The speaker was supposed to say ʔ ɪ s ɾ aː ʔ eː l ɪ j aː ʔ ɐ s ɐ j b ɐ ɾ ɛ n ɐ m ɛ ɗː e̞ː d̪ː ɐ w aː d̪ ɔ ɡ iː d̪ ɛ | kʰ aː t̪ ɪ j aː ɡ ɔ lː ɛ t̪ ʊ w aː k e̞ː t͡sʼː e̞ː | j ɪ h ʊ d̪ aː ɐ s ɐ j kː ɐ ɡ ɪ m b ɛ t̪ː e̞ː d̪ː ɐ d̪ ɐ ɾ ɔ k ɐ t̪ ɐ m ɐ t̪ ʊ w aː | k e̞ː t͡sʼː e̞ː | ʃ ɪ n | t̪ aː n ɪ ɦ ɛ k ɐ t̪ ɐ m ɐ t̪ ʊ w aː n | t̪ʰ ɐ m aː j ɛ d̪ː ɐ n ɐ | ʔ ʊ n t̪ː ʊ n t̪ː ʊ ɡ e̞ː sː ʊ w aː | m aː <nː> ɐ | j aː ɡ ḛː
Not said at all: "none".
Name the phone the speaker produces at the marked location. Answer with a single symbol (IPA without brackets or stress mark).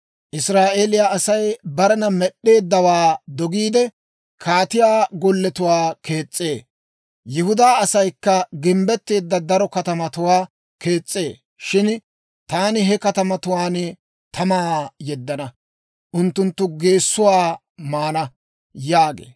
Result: n